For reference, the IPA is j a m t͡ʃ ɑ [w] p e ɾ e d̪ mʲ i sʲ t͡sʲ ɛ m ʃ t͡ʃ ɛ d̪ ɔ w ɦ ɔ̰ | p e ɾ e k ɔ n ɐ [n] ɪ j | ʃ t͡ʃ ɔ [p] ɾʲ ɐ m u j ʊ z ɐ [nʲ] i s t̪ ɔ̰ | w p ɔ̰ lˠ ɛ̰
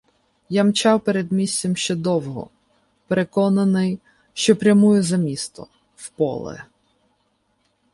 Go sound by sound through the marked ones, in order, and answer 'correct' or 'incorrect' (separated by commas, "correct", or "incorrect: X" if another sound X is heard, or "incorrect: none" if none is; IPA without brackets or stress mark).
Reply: correct, correct, correct, incorrect: mʲ